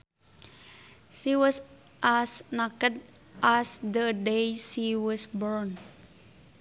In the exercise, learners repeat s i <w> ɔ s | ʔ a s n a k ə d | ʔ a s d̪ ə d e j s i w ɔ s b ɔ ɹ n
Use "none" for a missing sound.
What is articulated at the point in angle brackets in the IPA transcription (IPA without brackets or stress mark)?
w